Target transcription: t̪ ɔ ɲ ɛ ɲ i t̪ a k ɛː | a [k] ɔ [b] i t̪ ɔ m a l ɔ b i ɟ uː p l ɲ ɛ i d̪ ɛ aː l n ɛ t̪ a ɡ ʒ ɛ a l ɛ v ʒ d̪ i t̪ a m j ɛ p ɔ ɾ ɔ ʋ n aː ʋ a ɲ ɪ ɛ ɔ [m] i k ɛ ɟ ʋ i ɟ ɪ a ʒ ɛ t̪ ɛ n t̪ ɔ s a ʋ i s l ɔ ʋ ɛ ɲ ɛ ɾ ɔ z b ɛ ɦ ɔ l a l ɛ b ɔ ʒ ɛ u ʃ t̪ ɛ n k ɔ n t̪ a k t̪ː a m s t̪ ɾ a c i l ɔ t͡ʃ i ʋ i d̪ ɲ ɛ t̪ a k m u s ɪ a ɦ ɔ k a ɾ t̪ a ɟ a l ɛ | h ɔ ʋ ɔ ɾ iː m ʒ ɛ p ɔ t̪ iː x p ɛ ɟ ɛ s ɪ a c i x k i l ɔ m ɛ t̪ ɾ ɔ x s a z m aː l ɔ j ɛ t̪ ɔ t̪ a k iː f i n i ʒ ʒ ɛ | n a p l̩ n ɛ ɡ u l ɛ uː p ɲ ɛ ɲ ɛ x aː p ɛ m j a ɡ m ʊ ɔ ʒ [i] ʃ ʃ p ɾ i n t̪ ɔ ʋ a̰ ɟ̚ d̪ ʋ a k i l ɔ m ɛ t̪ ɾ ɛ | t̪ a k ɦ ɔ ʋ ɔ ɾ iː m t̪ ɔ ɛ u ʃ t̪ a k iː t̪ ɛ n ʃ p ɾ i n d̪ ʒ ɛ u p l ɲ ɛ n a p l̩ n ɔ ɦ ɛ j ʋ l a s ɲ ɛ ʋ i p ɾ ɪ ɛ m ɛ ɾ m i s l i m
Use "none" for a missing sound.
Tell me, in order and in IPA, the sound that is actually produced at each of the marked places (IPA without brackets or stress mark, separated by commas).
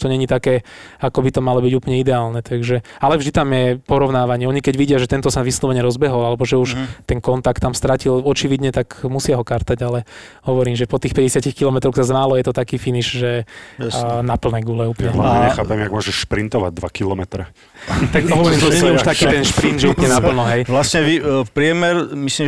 k, b, ɲ, ɛ